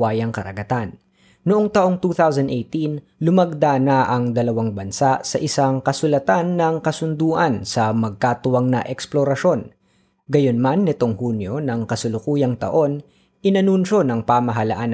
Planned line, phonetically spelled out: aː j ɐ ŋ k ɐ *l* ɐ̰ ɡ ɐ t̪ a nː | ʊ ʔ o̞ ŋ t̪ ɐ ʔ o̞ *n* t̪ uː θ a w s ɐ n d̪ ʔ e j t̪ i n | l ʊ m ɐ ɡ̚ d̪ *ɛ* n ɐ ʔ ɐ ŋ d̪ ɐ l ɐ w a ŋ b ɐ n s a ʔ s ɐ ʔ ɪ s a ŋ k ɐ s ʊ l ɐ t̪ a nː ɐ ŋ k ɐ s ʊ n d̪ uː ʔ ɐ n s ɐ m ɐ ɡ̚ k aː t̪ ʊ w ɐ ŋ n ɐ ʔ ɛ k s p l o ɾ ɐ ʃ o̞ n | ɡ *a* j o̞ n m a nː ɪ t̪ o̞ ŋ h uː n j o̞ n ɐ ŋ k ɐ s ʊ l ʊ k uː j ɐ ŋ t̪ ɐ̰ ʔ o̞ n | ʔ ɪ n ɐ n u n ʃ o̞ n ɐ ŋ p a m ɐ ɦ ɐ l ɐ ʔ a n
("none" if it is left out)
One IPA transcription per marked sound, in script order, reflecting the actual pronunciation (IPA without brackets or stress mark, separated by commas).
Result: ɾ, ŋ, a, ɐ